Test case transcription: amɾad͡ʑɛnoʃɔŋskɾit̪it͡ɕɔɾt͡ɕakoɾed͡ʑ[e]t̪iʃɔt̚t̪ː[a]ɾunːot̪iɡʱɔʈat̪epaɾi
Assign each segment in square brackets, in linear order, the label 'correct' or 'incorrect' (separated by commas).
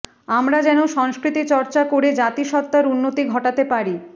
incorrect, correct